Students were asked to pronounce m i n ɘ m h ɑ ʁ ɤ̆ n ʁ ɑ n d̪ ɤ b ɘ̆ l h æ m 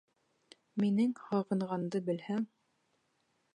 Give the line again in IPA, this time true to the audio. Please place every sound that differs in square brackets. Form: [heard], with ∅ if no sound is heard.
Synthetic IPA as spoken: m i n ɘ [ŋ] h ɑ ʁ ɤ̆ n ʁ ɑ n d̪ ɤ b ɘ̆ l h æ [ŋ]